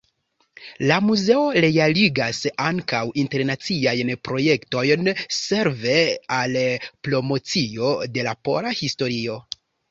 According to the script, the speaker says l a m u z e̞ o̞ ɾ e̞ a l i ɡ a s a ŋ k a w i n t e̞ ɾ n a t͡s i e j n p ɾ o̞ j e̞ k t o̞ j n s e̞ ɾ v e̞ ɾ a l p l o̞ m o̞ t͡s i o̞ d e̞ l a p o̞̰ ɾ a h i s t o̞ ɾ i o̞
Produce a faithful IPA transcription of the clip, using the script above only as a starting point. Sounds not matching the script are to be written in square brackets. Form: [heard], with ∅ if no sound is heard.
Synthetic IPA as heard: l a m u z e̞ o̞ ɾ e̞ a l i ɡ a s a ŋ k a w i n t e̞ ɾ n a t͡s i [a] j n p ɾ o̞ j e̞ k t o̞ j n s e̞ ɾ v e̞ [∅] a l p l o̞ m o̞ t͡s i o̞ d e̞ l a p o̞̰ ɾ a h i s t o̞ ɾ i o̞